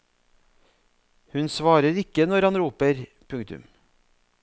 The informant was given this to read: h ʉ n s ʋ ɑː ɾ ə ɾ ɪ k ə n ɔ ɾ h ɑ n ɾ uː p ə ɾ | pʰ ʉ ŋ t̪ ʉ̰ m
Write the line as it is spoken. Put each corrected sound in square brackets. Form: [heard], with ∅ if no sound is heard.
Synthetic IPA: h ʉ n s ʋ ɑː ɾ ə ɾ ɪ k ə n ɔ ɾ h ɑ n ɾ uː p ə ɾ | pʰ ʉ ŋ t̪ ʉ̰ m